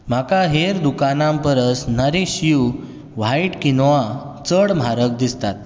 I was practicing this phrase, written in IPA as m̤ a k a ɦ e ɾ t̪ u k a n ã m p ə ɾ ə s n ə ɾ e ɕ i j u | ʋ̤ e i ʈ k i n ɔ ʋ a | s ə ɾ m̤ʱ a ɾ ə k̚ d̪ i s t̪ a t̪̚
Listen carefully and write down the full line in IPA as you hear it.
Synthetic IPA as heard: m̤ a k a ɦ e ɾ d̪ u k a n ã m p ə ɾ ə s n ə ɾ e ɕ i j u | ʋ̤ a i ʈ k i n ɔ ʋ a | t͡s ə ɽ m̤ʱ a ɾ ə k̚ d̪ i s t̪ a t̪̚